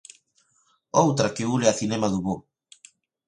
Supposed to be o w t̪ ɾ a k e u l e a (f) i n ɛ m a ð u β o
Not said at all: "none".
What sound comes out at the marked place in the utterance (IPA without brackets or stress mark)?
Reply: θ